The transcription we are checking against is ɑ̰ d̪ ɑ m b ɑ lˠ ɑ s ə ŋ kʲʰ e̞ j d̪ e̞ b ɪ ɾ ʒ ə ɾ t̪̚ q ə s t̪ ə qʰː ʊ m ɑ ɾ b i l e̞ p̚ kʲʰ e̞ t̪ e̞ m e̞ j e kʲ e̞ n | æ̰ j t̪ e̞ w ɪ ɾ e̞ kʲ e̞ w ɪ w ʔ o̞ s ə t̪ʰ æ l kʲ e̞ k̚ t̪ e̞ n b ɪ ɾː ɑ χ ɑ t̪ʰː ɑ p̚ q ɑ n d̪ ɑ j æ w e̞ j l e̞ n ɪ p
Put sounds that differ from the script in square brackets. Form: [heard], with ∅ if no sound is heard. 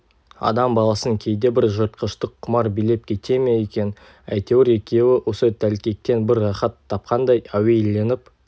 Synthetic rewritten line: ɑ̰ d̪ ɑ m b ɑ lˠ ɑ s ə ŋ kʲʰ e̞ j d̪ e̞ b ɪ ɾ ʒ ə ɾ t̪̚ q ə [ʃ] t̪ ə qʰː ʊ m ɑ ɾ b i l e̞ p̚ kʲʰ e̞ t̪ e̞ m e̞ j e kʲ e̞ n | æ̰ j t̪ e̞ w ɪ ɾ e̞ kʲ e̞ w ɪ w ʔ o̞ s ə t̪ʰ æ l kʲ e̞ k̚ t̪ e̞ n b ɪ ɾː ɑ χ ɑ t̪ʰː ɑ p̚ q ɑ n d̪ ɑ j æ w e̞ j l e̞ n ɪ p